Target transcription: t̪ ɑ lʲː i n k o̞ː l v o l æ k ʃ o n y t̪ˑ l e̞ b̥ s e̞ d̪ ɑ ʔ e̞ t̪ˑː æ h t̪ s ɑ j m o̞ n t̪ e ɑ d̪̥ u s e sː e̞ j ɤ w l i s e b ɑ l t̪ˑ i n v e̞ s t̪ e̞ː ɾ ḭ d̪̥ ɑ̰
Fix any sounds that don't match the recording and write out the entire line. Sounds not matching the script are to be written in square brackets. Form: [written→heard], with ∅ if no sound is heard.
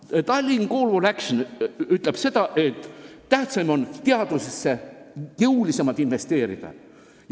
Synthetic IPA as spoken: t̪ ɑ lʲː i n k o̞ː l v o l æ k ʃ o n y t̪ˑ l e̞ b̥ s e̞ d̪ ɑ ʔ e̞ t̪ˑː æ h t̪ s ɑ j m o̞ n t̪ e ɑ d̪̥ u s e sː e̞ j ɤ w l i s e [b→m] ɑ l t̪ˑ i n v e̞ s t̪ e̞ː ɾ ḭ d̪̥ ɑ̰